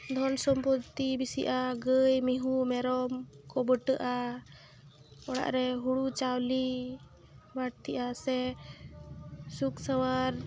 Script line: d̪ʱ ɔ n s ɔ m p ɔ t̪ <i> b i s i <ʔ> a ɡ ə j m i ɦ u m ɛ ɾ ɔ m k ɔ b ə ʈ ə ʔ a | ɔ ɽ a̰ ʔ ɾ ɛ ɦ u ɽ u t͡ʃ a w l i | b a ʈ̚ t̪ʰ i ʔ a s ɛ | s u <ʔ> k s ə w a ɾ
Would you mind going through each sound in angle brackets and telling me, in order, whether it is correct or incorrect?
correct, correct, incorrect: none

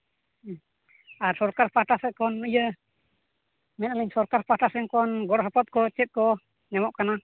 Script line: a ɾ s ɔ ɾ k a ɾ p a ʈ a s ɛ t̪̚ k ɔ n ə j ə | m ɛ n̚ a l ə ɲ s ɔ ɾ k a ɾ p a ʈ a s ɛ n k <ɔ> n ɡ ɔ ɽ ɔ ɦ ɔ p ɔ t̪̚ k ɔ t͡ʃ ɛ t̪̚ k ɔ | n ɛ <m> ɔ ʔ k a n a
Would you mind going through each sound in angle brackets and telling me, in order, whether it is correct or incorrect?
correct, correct

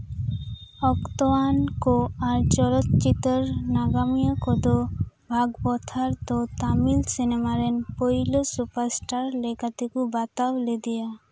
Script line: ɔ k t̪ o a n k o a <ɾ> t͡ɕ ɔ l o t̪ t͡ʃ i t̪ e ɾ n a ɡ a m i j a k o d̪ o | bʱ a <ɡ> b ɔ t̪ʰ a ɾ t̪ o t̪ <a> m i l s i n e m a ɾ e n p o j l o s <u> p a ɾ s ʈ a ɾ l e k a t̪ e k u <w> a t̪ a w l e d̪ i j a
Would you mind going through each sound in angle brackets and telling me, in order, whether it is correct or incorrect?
correct, correct, correct, correct, incorrect: b

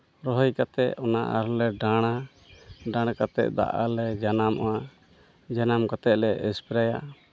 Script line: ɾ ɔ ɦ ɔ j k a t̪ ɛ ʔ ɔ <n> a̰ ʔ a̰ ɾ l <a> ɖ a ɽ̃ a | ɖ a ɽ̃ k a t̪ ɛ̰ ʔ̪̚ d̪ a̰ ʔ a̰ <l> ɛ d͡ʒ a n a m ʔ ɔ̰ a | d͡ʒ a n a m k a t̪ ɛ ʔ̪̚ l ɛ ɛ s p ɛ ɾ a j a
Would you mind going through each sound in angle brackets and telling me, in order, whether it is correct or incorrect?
correct, incorrect: ɛ, correct

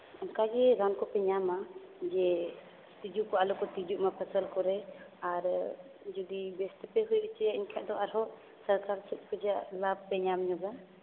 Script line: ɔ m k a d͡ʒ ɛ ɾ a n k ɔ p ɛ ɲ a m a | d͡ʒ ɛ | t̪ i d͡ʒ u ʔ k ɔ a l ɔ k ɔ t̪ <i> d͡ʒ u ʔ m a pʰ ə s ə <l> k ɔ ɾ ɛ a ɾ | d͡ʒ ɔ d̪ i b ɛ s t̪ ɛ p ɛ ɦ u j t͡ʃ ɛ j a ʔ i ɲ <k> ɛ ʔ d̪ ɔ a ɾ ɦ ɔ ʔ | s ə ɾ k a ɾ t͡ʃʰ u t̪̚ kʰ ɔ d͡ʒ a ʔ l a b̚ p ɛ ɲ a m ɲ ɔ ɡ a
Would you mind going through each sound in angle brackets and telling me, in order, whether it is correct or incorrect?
correct, correct, incorrect: kʰ

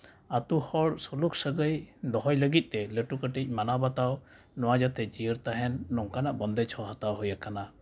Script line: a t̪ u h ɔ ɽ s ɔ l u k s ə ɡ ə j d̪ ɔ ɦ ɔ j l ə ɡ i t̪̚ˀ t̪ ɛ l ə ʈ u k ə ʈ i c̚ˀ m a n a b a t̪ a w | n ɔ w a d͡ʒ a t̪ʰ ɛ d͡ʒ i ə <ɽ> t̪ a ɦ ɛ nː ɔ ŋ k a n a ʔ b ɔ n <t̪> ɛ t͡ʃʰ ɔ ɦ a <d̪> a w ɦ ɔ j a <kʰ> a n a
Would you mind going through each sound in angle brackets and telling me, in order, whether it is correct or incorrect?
incorrect: ɾ, incorrect: d̪, incorrect: t̪, incorrect: k

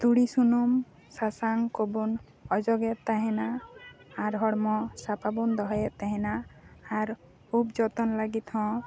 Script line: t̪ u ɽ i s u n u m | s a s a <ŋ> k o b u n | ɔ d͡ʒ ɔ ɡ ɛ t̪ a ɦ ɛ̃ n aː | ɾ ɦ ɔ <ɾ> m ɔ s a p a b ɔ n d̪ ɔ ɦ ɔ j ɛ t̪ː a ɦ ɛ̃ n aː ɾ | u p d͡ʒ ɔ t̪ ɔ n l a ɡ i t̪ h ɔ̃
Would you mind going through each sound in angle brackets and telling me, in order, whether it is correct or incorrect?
correct, incorrect: ɽ

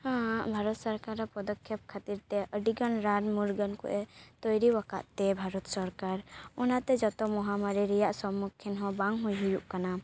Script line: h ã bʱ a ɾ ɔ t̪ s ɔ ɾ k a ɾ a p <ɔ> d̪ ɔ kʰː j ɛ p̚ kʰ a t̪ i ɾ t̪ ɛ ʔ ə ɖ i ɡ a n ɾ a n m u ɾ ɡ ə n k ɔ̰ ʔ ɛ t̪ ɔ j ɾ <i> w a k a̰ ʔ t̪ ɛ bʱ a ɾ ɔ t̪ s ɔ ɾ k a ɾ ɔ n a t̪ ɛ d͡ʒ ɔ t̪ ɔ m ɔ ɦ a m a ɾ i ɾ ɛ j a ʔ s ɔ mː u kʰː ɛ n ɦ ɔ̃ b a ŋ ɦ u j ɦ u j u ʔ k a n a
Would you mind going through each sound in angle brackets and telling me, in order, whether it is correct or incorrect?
correct, correct

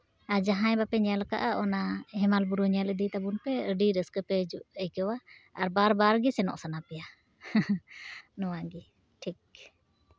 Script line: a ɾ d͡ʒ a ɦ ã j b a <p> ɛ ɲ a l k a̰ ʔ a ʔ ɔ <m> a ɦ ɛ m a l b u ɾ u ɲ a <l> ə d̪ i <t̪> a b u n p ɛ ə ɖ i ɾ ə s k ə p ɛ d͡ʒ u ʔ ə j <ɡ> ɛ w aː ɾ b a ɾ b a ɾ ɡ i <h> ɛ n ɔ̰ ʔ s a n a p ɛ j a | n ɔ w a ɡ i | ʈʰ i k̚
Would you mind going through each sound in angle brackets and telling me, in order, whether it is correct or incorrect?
correct, incorrect: n, correct, correct, incorrect: k, incorrect: s

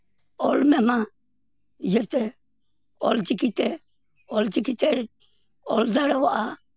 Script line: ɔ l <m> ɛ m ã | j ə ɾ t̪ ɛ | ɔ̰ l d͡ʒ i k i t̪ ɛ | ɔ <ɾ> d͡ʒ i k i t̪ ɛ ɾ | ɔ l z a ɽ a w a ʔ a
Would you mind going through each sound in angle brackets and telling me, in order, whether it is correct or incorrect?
correct, incorrect: l

